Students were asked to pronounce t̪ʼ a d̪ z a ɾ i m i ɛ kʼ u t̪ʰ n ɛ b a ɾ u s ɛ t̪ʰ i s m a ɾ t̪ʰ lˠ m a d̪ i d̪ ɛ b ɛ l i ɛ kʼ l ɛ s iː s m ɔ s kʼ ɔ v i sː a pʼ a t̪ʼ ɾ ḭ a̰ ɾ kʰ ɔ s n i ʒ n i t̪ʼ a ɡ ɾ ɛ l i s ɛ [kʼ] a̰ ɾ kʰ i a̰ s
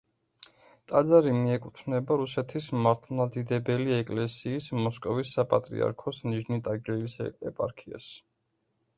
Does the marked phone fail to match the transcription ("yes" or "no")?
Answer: yes